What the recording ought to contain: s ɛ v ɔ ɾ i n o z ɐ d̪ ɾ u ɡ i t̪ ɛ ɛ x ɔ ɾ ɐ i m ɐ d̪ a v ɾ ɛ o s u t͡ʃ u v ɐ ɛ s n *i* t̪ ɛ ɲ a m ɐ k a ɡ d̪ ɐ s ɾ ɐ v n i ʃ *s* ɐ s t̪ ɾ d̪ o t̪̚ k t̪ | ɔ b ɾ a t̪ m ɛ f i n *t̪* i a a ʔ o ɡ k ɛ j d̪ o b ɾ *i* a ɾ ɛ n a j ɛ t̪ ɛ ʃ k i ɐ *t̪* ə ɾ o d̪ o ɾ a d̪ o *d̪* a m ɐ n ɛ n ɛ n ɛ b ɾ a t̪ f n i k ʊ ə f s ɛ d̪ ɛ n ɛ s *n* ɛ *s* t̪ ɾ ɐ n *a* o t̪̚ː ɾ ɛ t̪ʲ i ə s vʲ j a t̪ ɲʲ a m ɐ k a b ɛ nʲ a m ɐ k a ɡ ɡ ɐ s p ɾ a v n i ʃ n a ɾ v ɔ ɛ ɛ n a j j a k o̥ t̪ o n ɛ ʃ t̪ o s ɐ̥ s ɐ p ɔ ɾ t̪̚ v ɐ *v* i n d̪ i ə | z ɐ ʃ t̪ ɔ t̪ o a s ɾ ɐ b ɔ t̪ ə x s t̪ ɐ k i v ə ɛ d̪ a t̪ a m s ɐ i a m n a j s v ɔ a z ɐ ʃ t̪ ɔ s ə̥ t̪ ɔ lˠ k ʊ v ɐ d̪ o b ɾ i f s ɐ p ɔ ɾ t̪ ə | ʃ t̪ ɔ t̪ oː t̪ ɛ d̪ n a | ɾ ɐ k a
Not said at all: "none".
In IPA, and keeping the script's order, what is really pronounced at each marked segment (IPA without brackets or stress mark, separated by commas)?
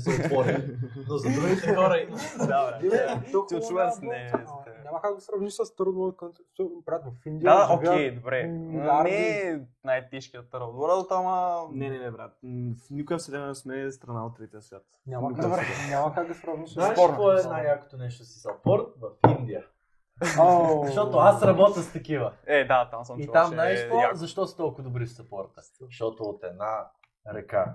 ɛ, s, d̪, ɛ, t̪, t̪, m, s, a, f